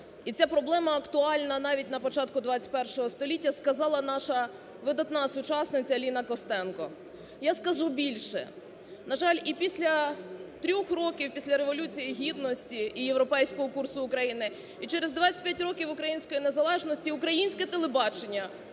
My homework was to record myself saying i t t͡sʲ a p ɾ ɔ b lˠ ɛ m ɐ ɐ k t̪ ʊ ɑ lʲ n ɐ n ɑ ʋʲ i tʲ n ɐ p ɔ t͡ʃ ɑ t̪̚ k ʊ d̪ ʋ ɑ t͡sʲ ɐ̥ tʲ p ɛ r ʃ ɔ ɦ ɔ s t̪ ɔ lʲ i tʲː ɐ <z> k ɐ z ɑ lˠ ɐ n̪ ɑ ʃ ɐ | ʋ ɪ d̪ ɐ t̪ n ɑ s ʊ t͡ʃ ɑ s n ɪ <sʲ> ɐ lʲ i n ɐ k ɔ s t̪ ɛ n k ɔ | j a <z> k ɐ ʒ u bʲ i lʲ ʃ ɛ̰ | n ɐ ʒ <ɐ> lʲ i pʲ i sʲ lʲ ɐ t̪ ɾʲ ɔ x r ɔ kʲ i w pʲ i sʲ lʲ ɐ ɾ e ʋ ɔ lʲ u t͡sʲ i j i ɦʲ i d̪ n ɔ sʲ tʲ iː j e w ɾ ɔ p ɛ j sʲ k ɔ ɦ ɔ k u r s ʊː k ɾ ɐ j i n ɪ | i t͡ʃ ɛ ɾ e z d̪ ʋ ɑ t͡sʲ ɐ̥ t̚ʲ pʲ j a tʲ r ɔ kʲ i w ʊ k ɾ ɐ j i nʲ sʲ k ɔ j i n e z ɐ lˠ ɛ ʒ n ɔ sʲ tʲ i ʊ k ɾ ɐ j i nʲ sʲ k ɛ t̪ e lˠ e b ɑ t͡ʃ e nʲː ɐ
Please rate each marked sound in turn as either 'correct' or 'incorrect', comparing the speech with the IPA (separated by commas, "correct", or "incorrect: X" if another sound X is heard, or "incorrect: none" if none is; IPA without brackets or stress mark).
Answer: incorrect: s, incorrect: t͡sʲ, incorrect: s, incorrect: ɑ